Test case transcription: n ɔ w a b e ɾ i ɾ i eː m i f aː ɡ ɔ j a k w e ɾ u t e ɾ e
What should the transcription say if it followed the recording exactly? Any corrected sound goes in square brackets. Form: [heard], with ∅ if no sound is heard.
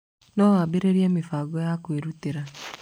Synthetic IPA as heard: n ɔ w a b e ɾ [e] ɾ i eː m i f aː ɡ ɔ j a k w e ɾ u t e ɾ [a]